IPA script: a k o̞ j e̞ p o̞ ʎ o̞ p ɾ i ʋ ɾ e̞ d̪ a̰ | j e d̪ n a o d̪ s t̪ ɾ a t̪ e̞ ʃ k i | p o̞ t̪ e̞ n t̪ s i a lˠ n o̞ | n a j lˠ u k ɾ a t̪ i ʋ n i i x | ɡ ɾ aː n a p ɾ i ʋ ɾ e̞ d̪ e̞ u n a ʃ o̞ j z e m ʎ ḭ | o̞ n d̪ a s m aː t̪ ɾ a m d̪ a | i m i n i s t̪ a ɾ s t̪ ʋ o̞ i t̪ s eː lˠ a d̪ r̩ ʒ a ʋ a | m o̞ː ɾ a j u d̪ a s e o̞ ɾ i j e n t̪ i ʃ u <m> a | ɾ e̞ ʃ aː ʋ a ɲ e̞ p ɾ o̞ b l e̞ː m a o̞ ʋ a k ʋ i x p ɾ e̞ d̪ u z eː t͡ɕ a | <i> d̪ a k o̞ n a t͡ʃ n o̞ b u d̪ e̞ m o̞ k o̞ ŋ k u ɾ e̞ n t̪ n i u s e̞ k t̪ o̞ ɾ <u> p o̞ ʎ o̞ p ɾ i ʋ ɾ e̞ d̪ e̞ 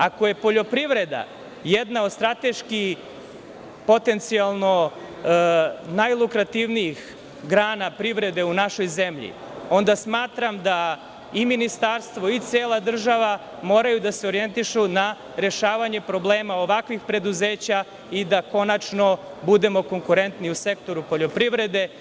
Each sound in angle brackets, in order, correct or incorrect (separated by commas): incorrect, correct, correct